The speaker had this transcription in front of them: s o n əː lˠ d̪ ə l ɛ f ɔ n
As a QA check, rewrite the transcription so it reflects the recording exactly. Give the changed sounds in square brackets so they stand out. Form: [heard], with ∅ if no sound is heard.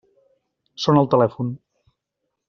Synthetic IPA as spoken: s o n [ə] lˠ [t̪] ə l ɛ f [u] n